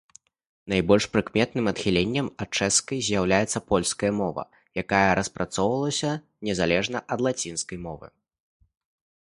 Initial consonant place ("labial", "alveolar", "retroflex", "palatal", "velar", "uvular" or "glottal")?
alveolar